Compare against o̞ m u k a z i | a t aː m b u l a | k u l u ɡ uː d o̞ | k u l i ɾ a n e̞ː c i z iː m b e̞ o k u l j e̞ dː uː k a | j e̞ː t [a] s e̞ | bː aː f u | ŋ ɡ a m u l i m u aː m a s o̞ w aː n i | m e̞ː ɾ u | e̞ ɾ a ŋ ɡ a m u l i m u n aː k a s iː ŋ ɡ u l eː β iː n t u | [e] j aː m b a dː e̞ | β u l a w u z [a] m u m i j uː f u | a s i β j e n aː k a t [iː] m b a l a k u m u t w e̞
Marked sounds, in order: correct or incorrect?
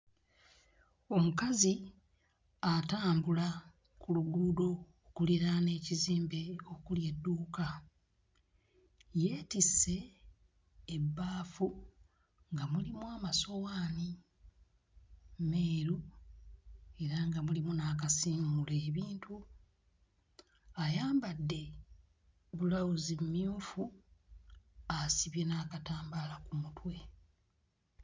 incorrect: i, incorrect: a, incorrect: i, incorrect: aː

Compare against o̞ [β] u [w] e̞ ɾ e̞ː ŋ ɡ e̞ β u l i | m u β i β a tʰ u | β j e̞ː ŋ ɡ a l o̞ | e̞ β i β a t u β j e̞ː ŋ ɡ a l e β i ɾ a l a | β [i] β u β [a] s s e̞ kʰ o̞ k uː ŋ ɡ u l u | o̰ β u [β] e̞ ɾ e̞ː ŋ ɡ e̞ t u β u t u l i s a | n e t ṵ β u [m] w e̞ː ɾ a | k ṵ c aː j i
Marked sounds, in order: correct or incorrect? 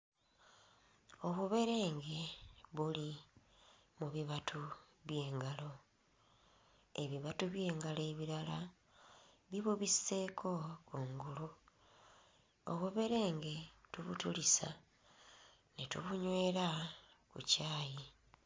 correct, incorrect: β, correct, incorrect: i, correct, incorrect: ɲ

